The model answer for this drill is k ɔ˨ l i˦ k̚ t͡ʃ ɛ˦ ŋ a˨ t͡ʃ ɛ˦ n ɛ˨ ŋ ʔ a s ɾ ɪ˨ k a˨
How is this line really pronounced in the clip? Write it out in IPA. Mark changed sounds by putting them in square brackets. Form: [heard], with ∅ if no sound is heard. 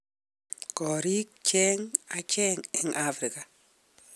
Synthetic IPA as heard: k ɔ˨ [ɾ] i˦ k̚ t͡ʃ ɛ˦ ŋ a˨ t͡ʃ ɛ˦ [ŋ] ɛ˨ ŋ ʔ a [f] ɾ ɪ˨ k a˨